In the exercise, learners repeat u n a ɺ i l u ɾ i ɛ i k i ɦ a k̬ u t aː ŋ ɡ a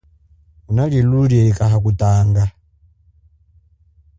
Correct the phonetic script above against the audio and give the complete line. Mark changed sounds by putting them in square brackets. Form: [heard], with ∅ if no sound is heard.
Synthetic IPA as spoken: u n a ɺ i l u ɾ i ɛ i k [a] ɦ a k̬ u t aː ŋ ɡ a

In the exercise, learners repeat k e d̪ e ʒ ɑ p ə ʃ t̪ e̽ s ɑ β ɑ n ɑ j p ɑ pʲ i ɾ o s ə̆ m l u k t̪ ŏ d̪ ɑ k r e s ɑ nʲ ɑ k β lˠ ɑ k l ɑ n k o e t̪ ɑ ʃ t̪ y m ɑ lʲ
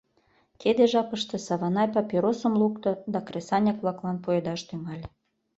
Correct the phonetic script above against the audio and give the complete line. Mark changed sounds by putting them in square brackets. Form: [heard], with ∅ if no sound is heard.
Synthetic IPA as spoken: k e d̪ e ʒ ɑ p ə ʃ t̪ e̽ s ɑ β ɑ n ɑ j p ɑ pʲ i ɾ o s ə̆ m l u k t̪ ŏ d̪ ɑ k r e s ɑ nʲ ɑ k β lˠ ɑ k l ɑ n [p] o e [d̪] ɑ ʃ t̪ y m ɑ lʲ

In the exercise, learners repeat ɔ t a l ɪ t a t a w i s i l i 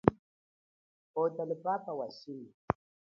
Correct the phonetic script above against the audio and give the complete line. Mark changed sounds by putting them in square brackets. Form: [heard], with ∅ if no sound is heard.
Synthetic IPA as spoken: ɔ t a l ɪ [p] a [p] a w [a] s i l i

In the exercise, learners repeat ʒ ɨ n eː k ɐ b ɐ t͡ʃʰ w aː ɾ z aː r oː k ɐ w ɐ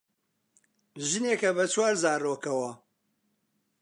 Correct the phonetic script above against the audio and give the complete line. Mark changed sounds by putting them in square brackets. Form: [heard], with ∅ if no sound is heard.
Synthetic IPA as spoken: ʒ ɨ n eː k ɐ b ɐ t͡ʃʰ w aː ɾ z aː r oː k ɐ w ɐ

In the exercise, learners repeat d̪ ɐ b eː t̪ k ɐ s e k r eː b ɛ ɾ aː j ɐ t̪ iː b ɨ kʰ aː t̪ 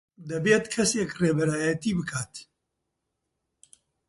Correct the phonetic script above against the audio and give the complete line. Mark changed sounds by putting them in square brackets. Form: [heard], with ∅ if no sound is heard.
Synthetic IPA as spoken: d̪ ɐ b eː t̪ [kʰ] ɐ s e k r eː b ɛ ɾ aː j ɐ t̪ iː b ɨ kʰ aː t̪

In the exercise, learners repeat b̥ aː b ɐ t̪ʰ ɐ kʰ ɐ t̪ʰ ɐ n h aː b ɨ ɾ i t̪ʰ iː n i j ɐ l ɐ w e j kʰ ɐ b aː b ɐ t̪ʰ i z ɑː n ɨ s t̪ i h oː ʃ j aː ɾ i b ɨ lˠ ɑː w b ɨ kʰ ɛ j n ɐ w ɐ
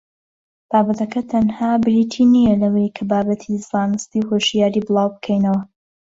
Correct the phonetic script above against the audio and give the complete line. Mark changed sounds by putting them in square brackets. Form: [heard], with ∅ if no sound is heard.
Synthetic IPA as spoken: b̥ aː b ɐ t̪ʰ ɐ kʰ ɐ t̪ʰ ɐ n h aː b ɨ ɾ i t̪ʰ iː n i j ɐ l ɐ w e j kʰ ɐ b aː b ɐ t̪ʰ i z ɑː n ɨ s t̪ i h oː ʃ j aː ɾ i b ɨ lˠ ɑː w b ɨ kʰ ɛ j n ɐ w ɐ

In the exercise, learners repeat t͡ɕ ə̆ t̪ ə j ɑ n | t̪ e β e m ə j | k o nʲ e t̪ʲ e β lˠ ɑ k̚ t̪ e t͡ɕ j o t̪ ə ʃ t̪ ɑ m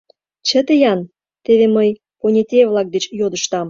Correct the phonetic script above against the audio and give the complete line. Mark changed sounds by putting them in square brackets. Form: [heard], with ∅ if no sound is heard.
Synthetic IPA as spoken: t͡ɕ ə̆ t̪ ə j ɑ n | t̪ e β e m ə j | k o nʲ e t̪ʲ e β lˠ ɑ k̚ [d̪] e t͡ɕ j o [d̪] ə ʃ t̪ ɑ m

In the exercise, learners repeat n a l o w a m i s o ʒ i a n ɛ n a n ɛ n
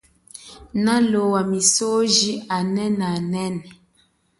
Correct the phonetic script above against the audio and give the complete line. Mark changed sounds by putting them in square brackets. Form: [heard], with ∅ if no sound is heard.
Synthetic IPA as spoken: n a l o w a m i s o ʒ i a n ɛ n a n ɛ n

